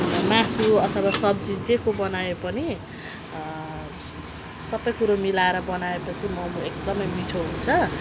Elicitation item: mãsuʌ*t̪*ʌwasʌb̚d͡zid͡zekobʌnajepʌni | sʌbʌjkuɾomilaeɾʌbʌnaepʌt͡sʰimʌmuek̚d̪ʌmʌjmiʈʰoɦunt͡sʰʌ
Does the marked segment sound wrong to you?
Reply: yes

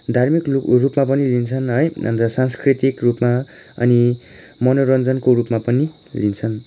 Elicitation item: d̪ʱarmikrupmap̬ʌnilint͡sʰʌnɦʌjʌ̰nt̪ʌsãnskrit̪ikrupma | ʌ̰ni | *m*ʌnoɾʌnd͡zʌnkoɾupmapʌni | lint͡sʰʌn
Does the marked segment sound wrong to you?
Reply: no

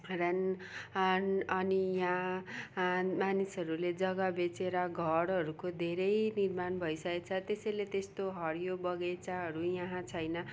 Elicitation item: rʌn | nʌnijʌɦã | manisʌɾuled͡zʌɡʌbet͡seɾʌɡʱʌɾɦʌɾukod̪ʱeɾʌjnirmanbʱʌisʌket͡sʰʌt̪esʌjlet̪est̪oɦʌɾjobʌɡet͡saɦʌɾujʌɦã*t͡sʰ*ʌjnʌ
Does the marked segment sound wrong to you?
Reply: no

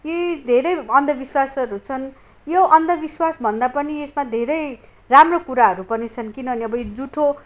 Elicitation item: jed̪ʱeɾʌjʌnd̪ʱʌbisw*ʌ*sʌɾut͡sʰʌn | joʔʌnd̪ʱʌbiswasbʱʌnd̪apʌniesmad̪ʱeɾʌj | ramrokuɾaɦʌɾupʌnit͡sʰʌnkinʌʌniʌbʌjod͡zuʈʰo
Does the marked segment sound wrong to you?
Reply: yes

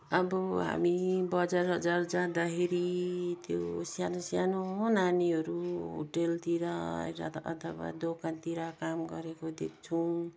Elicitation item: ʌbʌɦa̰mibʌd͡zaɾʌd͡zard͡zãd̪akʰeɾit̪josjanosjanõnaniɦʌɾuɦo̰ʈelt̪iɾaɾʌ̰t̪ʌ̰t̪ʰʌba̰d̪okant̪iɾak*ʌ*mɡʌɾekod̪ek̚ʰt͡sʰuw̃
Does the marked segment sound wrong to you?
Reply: yes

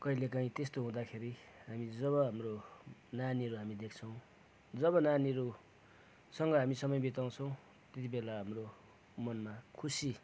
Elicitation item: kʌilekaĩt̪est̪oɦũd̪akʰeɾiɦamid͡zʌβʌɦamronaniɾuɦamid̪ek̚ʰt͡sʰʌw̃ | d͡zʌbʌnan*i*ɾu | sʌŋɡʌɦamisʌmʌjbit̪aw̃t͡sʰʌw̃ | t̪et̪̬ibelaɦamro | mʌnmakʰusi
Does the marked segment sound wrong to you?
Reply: no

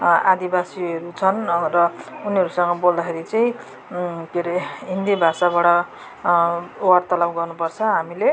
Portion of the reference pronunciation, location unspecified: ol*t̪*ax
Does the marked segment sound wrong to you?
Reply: yes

